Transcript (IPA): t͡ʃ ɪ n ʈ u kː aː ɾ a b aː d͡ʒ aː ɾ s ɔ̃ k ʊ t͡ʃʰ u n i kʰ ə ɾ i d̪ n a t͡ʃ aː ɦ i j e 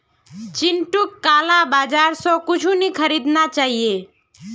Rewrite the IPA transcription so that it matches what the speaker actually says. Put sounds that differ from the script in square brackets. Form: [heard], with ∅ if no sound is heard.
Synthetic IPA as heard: t͡ʃ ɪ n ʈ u kː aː [l] a b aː d͡ʒ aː ɾ s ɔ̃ k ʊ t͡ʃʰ u n i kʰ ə ɾ i d̪ n a t͡ʃ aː ɦ i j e